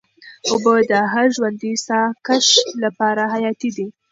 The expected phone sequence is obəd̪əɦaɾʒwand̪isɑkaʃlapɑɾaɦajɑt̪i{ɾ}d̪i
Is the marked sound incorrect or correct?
incorrect: none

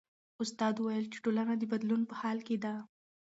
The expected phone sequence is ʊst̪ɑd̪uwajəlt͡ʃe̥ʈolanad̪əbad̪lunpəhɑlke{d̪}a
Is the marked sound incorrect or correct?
correct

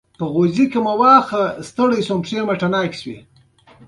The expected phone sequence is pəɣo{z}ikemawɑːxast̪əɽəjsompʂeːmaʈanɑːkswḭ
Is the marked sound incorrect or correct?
correct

